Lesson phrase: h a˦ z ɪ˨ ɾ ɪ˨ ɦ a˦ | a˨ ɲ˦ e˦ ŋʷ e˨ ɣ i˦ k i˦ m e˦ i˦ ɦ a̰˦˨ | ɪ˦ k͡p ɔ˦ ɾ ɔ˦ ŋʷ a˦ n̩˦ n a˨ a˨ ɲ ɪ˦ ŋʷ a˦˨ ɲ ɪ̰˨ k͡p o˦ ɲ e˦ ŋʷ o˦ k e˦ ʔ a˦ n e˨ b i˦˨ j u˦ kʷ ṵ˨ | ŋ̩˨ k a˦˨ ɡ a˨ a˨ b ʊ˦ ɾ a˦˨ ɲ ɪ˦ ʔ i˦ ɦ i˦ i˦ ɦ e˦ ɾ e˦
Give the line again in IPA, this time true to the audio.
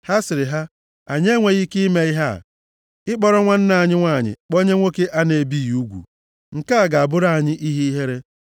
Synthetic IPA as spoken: h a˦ s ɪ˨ ɾ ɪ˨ ɦ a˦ | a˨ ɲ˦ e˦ ŋʷ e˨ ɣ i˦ k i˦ m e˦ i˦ ɦ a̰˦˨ | ɪ˦ k͡p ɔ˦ ɾ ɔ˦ ŋʷ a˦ n̩˦ n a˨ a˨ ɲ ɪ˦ ŋʷ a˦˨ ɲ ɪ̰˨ k͡p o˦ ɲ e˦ ŋʷ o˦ k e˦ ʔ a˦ n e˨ b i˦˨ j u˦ ɡʷ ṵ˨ | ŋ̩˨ k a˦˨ ɡ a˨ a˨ b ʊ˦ ɾ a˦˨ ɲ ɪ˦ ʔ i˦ ɦ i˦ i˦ ɦ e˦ ɾ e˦